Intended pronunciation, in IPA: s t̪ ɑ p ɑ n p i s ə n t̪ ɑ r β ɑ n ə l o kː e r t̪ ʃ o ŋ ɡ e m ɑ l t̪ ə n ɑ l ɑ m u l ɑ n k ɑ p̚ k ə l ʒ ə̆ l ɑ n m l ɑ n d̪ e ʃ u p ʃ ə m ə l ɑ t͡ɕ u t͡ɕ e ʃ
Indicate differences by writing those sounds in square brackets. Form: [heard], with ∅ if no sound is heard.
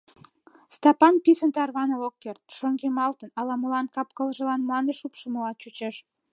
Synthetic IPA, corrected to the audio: s t̪ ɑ p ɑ n p i s ə n t̪ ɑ r β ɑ n ə l o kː e r t̪ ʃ o ŋ ɡ e m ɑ l t̪ ə n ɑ l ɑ m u l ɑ n k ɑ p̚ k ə l ʒ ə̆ l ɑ n m l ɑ n d̪ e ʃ u p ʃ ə m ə l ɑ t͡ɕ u t͡ɕ e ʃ